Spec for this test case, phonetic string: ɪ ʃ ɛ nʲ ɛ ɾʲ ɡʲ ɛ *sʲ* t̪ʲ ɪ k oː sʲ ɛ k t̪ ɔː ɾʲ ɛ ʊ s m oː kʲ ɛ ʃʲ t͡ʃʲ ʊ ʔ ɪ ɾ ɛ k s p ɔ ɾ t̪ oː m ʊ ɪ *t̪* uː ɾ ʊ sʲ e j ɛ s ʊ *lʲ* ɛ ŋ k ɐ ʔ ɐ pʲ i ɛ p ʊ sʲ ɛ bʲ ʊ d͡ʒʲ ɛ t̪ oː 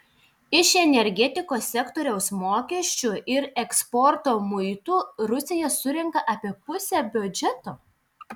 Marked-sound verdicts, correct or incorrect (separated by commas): incorrect, correct, incorrect